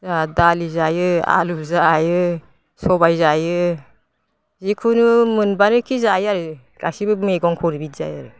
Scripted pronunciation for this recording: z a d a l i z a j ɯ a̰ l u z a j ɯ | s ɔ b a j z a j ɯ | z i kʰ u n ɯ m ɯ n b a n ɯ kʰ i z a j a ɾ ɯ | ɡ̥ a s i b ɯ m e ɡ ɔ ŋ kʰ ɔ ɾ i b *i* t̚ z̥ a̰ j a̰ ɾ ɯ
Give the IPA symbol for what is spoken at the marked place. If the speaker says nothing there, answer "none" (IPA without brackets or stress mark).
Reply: i